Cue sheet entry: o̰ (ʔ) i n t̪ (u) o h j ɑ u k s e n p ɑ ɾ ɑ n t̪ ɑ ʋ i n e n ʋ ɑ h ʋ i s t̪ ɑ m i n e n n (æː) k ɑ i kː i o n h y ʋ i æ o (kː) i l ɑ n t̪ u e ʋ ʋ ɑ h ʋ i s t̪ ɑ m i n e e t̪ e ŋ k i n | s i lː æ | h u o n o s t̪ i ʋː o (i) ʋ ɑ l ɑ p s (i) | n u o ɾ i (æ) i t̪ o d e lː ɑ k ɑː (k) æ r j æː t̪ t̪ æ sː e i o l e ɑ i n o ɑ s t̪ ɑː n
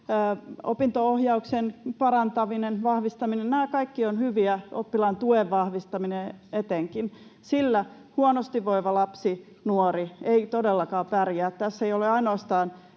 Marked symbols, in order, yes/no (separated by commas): no, no, yes, no, yes, yes, no, no